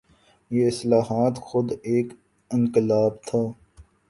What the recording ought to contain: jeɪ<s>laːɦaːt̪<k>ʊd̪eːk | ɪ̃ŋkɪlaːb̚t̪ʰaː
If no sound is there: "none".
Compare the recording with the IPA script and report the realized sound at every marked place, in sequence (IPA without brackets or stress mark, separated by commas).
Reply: s, x